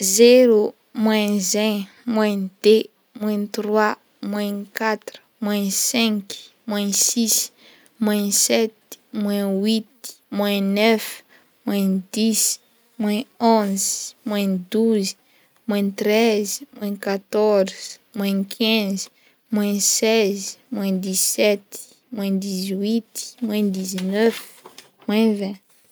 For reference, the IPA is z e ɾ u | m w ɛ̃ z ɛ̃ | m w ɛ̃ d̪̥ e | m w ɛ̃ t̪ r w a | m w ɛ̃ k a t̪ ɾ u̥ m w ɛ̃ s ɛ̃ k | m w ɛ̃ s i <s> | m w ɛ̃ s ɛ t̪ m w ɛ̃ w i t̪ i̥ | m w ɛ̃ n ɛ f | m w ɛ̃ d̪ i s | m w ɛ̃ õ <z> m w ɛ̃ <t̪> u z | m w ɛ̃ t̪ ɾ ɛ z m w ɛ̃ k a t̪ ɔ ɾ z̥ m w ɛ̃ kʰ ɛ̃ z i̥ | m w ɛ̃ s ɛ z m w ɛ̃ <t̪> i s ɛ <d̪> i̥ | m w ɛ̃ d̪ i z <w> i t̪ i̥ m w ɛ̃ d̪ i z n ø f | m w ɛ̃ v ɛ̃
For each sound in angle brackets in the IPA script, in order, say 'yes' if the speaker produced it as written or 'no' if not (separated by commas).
yes, yes, no, no, no, yes